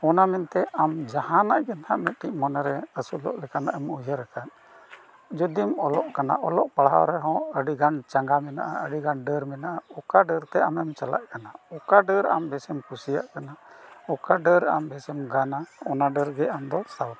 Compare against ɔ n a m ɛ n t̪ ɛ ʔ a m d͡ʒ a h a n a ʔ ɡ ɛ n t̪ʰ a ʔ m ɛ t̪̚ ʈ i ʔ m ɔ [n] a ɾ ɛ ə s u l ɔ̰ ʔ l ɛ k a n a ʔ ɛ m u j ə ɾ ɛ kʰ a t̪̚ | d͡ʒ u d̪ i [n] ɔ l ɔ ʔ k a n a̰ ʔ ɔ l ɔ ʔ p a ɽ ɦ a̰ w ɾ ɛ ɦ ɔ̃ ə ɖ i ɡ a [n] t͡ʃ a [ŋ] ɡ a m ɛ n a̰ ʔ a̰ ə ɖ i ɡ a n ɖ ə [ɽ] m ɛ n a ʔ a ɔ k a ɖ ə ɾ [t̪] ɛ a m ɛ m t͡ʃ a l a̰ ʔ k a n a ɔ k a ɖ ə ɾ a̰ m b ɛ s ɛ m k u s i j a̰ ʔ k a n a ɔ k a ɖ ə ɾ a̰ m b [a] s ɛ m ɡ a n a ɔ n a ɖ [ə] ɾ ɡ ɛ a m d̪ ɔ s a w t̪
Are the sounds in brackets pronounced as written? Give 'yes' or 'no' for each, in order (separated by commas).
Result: yes, no, yes, yes, no, yes, no, yes